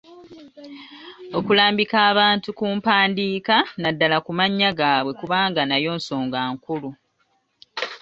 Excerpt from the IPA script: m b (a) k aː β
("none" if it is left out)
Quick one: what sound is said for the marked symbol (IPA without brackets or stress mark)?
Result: i